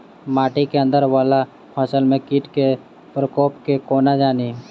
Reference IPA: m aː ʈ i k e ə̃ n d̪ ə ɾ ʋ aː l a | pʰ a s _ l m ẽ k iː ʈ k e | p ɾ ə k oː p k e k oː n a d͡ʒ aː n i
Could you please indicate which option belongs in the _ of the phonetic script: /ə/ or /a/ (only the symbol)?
ə